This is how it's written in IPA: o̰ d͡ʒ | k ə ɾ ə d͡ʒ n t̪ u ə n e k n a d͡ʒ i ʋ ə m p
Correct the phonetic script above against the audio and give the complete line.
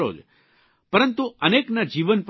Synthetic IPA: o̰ d͡ʒ | p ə ɾ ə n t̪ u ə n e k n a d͡ʒ i ʋ ə n p